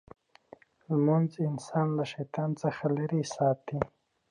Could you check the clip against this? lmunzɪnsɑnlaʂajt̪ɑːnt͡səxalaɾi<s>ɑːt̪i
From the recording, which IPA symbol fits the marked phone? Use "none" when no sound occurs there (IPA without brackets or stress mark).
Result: s